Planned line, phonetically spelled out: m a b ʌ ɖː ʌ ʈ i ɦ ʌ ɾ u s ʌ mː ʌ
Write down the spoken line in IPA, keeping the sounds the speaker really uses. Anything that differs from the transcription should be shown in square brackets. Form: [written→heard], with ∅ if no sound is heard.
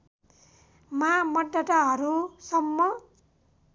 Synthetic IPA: m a [b→m] ʌ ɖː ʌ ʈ [i→a] ɦ ʌ ɾ u s ʌ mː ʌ